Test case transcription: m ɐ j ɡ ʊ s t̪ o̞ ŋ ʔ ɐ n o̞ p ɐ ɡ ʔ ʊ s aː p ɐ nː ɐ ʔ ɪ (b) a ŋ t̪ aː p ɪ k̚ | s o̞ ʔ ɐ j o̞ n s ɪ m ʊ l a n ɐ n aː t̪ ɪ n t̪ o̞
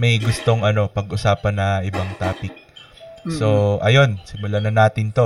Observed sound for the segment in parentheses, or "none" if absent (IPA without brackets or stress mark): b